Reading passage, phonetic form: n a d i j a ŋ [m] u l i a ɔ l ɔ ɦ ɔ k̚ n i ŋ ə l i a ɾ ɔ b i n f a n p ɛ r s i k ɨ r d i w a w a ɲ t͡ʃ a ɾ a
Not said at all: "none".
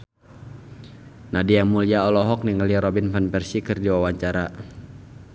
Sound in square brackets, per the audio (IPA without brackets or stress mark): m